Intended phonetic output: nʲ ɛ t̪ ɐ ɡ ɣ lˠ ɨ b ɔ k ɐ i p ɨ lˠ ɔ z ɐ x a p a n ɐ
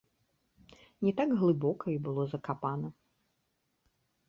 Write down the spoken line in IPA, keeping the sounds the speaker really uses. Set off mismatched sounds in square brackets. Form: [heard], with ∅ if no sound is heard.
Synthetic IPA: nʲ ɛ t̪ [a] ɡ ɣ lˠ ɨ b ɔ k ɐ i [b] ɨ lˠ ɔ z ɐ [k] a p a n ɐ